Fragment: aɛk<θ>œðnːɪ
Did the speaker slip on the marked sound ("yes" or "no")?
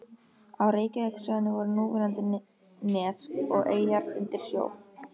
yes